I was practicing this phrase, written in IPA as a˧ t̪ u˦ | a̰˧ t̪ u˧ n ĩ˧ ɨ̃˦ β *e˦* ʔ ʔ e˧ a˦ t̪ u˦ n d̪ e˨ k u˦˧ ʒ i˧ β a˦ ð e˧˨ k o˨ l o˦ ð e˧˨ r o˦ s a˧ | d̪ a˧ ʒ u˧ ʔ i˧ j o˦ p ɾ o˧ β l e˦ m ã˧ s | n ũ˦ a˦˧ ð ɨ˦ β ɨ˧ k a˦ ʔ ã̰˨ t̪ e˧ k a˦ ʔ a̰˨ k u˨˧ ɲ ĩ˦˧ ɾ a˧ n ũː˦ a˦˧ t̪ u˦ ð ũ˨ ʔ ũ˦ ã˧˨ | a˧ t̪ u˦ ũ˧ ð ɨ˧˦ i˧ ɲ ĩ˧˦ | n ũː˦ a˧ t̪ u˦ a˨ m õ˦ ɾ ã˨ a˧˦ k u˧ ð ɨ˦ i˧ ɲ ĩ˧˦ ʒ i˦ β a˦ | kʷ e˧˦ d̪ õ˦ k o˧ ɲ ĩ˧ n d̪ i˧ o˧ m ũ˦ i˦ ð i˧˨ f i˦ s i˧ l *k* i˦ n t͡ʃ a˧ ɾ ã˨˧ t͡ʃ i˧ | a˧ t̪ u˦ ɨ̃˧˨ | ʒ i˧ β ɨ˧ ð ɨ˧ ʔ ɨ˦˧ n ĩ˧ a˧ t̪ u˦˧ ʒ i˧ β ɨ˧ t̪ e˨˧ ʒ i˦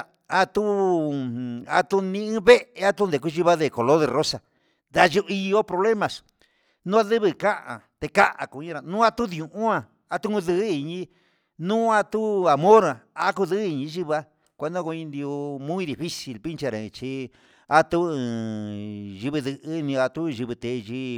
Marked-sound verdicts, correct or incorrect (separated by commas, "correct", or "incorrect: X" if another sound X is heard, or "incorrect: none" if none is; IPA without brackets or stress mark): correct, incorrect: p